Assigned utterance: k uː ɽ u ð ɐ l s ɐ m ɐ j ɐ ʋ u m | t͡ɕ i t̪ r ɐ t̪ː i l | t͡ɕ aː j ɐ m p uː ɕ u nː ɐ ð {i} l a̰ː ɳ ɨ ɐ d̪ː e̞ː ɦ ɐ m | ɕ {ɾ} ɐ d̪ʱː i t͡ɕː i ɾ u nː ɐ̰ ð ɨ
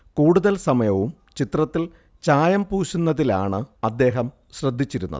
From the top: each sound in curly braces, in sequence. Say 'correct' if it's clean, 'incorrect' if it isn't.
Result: correct, incorrect

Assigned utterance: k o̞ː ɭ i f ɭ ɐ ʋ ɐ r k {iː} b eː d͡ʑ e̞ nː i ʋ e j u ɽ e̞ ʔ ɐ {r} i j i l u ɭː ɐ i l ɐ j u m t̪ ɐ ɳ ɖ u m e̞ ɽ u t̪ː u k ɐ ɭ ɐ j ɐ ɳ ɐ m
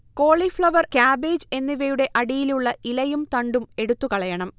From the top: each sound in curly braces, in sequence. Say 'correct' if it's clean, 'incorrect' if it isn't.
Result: incorrect, incorrect

